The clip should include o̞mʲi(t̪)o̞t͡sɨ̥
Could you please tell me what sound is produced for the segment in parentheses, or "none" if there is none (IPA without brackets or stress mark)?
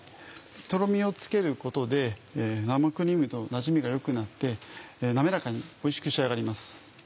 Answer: none